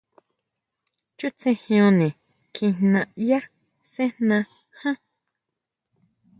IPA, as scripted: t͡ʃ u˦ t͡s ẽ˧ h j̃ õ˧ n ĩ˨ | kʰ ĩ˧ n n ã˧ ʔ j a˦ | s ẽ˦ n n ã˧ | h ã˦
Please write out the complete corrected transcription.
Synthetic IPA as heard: t͡ʃ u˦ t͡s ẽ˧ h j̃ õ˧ n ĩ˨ | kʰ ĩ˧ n n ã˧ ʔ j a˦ | s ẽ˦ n n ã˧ | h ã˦